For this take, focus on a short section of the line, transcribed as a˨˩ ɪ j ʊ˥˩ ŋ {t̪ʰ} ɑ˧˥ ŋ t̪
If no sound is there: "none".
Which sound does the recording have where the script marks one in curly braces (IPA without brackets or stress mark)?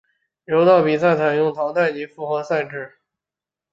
t̪ʰ